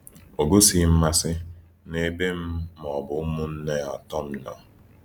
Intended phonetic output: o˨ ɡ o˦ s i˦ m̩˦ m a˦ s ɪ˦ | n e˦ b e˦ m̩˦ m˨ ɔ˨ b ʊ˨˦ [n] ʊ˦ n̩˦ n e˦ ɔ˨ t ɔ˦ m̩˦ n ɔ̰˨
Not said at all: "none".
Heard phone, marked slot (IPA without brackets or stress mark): m